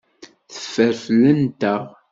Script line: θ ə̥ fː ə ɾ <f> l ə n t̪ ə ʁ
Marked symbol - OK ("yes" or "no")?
yes